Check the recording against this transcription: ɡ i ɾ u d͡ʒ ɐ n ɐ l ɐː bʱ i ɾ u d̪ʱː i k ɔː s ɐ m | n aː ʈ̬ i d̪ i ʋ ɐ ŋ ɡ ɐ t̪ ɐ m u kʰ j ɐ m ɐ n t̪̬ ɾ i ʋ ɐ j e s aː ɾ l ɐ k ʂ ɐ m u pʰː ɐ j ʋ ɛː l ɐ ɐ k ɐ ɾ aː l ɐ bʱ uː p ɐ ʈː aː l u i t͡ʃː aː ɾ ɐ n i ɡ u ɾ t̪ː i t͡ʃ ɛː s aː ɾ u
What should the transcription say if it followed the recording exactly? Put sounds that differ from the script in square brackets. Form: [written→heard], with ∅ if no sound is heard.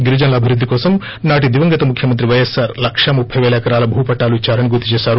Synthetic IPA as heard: ɡ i ɾ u d͡ʒ ɐ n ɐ l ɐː bʱ i ɾ u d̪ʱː i k ɔː s ɐ m | n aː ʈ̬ i d̪ i ʋ ɐ ŋ ɡ ɐ t̪ ɐ m u kʰ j ɐ m ɐ n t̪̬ ɾ i ʋ ɐ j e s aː ɾ l ɐ k ʂ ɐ m u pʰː ɐ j ʋ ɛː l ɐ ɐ k ɐ ɾ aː l ɐ bʱ uː p ɐ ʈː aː l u i t͡ʃː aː ɾ ɐ n i ɡ u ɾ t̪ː i t͡ʃ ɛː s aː ɾ u

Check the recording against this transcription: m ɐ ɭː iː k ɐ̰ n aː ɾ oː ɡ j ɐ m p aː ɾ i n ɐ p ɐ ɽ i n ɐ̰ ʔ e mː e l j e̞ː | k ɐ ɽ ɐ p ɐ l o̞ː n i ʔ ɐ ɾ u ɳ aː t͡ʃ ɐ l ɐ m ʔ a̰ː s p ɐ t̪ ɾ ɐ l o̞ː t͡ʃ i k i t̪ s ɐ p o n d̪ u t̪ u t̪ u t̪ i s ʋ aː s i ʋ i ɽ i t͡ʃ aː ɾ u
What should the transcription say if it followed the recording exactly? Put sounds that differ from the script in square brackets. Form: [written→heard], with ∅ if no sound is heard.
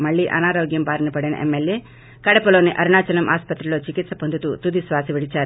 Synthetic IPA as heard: m ɐ ɭː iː [k→ʔ] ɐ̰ n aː ɾ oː ɡ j ɐ m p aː ɾ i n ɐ p ɐ ɽ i n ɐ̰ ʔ e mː e l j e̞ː | k ɐ ɽ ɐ p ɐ l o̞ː n i ʔ ɐ ɾ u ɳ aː t͡ʃ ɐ l ɐ m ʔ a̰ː s p ɐ t̪ ɾ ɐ l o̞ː t͡ʃ i k i t̪ s ɐ p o n d̪ u t̪ u t̪ u [t̪→d̪] i s ʋ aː s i ʋ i ɽ i t͡ʃ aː ɾ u

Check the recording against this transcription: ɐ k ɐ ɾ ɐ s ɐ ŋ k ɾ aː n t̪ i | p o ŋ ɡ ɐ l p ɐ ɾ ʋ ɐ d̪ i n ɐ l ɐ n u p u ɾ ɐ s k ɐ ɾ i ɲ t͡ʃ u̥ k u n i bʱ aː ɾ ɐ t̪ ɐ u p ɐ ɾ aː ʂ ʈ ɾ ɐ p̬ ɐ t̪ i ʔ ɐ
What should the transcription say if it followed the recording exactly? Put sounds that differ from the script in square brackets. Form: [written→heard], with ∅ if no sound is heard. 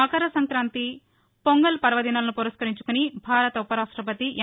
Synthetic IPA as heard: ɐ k ɐ ɾ ɐ s ɐ ŋ k ɾ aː n t̪ i | p o ŋ ɡ ɐ l p ɐ ɾ ʋ ɐ d̪ i n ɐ l ɐ n u p u ɾ ɐ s k ɐ ɾ i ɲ t͡ʃ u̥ k u n i bʱ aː ɾ ɐ t̪ ɐ u p ɐ ɾ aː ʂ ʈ ɾ ɐ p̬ ɐ t̪ i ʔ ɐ

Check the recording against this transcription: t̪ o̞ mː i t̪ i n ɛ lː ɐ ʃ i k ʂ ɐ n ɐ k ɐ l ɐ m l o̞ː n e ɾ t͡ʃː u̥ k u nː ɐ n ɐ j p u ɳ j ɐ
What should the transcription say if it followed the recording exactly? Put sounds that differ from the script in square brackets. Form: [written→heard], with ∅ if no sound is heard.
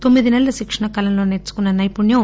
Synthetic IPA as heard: t̪ o̞ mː i [t̪→d̪] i n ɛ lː ɐ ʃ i k ʂ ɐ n ɐ k ɐ l ɐ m l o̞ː n e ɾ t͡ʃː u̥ k u nː ɐ n ɐ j p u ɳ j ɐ

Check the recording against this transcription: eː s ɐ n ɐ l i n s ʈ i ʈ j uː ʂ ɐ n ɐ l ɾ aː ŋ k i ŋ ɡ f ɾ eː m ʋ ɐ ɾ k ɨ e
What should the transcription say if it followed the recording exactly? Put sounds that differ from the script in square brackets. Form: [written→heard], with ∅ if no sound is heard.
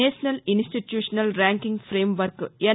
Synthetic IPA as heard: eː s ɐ n ɐ l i n s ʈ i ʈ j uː ʂ ɐ n ɐ l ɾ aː ŋ k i ŋ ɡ f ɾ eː m ʋ ɐ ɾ k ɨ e

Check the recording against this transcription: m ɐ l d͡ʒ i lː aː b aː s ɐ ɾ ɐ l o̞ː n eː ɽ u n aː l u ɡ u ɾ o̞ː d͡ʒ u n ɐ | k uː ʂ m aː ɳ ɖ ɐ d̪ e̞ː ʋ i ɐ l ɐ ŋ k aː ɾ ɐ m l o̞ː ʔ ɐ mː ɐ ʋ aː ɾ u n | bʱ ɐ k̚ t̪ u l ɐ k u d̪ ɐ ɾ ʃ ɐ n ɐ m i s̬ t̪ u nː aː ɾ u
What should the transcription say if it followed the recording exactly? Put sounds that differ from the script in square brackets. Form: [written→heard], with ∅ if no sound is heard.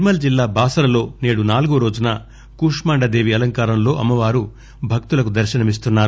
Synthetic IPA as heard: m ɐ l d͡ʒ i lː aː b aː s ɐ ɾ ɐ l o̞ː n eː ɽ u n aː l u ɡ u ɾ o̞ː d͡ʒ u n ɐ | k uː ʂ m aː ɳ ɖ ɐ d̪ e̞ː ʋ i ɐ l ɐ ŋ k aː ɾ ɐ m l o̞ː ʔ ɐ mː ɐ ʋ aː ɾ u [n→∅] | bʱ ɐ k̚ t̪ u l ɐ k u d̪ ɐ ɾ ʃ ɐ n ɐ m i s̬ t̪ u nː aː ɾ u

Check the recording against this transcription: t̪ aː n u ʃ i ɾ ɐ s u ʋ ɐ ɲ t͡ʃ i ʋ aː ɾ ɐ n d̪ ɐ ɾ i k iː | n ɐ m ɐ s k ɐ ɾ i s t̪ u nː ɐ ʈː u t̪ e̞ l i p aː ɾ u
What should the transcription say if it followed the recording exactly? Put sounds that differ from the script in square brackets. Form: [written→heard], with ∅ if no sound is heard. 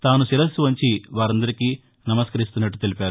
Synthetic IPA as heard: t̪ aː n u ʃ i ɾ ɐ s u ʋ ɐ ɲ t͡ʃ i ʋ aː ɾ ɐ n d̪ ɐ ɾ i k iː | n ɐ m ɐ s k ɐ ɾ i s t̪ u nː ɐ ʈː u t̪ e̞ l i p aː ɾ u

